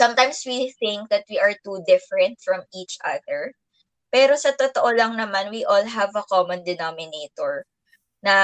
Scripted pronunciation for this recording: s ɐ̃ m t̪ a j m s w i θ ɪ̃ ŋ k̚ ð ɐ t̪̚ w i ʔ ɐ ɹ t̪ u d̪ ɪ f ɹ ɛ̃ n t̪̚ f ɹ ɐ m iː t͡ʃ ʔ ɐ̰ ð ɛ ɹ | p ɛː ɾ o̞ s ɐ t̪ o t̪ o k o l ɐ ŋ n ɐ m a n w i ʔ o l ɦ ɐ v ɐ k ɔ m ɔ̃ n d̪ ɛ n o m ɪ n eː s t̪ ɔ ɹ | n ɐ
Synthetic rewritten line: s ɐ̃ m t̪ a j m s w i θ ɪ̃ ŋ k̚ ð ɐ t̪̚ w i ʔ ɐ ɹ t̪ u d̪ ɪ f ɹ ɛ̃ n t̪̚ f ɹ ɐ m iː t͡ʃ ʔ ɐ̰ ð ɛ ɹ | p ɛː ɾ o̞ s ɐ t̪ o t̪ o ʔ o l ɐ ŋ n ɐ m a n w i ʔ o l ɦ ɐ v ɐ k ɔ m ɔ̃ n d̪ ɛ n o m ɪ n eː t̪ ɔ ɹ | n ɐ